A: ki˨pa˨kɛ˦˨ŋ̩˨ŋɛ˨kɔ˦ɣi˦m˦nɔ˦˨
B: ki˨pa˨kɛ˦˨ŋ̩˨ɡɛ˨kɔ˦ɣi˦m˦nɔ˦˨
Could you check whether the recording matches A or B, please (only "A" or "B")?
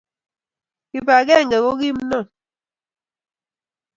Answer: B